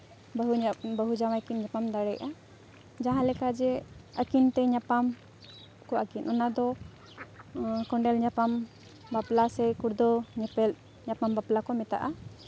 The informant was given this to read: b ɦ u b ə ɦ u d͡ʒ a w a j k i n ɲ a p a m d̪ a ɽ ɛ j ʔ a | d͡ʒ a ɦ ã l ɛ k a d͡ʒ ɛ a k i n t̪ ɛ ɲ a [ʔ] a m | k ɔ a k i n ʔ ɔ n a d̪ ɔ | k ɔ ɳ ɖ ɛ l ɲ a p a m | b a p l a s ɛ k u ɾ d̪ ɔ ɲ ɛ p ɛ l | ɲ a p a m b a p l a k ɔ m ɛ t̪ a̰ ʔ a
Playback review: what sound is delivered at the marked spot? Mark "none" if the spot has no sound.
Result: p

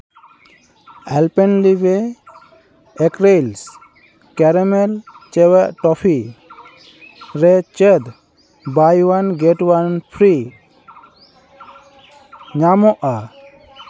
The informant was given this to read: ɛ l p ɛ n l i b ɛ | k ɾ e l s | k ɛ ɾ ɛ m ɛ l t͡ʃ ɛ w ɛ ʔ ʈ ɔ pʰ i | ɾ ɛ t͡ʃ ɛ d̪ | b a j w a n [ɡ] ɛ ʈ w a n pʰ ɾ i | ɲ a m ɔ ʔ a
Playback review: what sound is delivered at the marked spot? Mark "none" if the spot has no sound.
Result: ɡ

